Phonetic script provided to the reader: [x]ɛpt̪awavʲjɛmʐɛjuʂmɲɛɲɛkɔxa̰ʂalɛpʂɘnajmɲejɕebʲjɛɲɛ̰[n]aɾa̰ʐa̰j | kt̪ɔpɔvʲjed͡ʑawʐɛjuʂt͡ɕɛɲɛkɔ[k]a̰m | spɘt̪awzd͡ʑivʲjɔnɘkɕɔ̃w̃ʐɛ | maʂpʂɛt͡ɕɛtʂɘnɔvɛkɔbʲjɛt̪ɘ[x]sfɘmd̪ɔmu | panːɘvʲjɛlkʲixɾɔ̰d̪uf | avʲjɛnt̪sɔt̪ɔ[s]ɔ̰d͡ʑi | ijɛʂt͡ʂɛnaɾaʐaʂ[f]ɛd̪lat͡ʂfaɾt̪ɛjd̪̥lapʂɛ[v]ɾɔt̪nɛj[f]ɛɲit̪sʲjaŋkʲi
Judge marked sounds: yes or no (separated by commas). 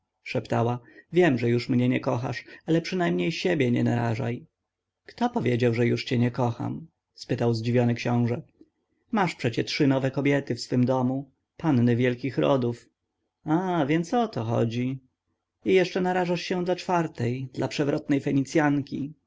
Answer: no, yes, no, no, no, no, yes, yes